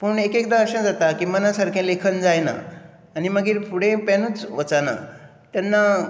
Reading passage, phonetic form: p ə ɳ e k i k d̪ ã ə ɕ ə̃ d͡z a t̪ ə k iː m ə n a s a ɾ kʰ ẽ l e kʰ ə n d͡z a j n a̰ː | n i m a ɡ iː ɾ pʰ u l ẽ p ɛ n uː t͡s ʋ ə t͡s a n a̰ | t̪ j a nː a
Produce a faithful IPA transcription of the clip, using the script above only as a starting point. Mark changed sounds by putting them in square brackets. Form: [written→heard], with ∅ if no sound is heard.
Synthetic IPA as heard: p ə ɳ e k [i→e] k d̪ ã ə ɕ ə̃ d͡z a t̪ [ə→a] k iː m ə n a s a ɾ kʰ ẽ l e kʰ ə n d͡z a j n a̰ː | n i m [a→ə] ɡ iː ɾ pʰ u [l→ɽ] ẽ p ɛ n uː t͡s ʋ ə t͡s a n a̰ | t̪ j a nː a